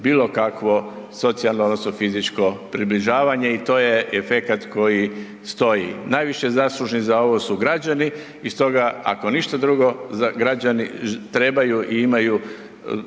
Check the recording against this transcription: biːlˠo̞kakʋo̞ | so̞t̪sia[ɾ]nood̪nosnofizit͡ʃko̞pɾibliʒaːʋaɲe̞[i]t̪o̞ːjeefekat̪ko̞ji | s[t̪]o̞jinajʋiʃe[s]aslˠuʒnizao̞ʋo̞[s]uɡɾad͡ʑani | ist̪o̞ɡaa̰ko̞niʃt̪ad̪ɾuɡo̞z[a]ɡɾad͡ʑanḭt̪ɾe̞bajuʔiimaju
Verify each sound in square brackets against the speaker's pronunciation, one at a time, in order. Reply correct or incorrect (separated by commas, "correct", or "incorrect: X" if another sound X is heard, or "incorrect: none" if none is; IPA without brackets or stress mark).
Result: incorrect: l, correct, correct, incorrect: z, correct, correct